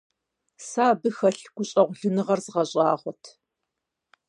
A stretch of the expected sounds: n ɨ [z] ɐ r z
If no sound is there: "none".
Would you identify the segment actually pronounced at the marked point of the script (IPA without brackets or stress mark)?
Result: ʁ